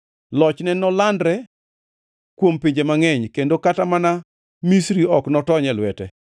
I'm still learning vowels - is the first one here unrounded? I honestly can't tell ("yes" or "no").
no